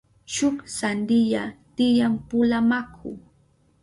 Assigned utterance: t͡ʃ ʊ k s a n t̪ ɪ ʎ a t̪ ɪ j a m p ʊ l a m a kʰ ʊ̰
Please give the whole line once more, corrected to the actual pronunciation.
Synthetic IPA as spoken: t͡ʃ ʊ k s a n d̪ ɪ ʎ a t̪ ɪ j a m p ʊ l a m a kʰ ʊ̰